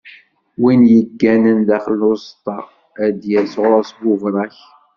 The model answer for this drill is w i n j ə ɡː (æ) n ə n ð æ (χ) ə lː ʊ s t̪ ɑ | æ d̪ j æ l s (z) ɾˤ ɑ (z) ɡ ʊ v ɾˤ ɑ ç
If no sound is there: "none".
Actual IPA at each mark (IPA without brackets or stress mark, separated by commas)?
æ, χ, ʁ, s